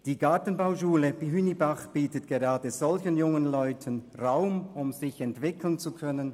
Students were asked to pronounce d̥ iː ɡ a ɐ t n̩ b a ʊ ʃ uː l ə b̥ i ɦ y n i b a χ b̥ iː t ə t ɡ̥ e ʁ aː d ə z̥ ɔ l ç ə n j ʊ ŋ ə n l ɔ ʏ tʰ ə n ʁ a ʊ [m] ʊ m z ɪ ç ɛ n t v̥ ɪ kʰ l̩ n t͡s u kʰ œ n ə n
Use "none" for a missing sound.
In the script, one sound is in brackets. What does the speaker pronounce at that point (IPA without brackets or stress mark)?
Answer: m